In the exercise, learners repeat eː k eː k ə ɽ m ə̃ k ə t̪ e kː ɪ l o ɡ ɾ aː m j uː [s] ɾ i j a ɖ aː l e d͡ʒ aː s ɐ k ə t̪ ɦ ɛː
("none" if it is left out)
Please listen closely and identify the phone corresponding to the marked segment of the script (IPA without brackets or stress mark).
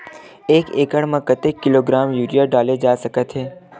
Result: none